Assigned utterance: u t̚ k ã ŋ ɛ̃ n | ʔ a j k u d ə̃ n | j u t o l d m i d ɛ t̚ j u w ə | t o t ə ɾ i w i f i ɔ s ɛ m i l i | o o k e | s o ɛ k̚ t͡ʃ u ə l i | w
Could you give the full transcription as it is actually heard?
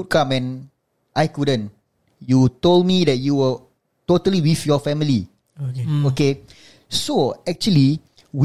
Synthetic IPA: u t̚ k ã m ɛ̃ n | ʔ a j k u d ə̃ n | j u t o l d m i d ɛ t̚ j u w ə | t o t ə l i w i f j ɔ f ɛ m i l i | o o k e | s o ɛ k̚ t͡ʃ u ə l i | w